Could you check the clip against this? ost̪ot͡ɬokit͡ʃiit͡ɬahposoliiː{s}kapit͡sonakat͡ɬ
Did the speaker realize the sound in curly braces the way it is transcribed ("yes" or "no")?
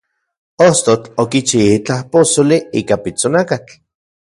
no